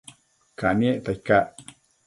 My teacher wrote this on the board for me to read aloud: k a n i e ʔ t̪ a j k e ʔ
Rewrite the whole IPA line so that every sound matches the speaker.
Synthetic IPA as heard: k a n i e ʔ t̪ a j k a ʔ

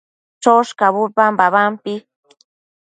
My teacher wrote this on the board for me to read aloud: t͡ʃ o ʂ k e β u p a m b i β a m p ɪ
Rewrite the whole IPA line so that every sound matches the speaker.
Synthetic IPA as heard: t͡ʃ o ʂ k a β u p a m b a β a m p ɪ

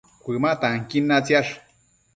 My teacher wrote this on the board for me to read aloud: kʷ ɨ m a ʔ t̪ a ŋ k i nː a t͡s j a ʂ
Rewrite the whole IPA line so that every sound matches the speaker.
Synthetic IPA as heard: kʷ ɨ m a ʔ t̪ a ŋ k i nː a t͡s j a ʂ

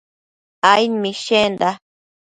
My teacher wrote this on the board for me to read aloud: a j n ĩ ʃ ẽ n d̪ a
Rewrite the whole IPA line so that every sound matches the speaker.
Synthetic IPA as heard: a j m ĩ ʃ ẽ n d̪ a

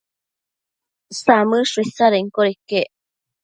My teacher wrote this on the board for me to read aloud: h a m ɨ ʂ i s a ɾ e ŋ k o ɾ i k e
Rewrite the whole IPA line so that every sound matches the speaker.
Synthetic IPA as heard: s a m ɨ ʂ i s a ɾ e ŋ k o ɾ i k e

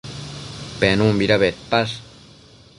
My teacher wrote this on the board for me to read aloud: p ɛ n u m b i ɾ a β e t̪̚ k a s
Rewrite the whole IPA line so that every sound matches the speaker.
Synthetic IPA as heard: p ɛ n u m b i ɾ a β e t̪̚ p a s

